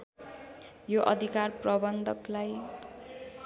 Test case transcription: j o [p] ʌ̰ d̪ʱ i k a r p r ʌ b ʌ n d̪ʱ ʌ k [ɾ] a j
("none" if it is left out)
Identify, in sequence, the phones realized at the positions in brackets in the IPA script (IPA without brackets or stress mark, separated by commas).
ʔ, l